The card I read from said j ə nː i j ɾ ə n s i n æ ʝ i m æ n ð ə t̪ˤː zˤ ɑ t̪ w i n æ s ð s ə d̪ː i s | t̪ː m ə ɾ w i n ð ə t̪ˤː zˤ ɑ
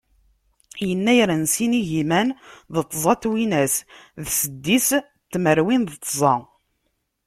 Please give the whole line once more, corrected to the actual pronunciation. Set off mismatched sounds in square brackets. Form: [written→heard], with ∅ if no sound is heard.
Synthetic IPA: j ə nː [i→æ] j ɾ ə n s i n [æ→i] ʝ i m æ n ð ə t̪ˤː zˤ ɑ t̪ w i n æ s ð s ə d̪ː i s | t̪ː m ə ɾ w i n ð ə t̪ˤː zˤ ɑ